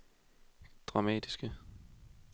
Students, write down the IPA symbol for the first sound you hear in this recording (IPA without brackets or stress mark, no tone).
d̥